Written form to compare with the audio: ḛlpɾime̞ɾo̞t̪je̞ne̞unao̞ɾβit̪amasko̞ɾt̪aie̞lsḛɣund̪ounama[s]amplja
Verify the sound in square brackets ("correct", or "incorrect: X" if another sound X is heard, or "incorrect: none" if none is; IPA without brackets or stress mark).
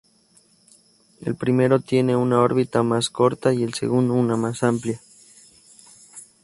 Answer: correct